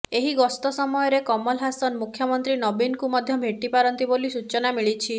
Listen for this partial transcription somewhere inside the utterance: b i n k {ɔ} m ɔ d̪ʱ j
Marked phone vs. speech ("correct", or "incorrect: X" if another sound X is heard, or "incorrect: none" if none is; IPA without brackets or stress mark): incorrect: u